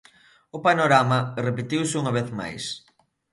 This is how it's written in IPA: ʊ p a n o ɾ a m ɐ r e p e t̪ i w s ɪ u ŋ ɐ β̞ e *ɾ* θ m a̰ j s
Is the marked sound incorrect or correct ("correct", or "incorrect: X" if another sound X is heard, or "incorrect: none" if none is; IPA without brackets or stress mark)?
incorrect: none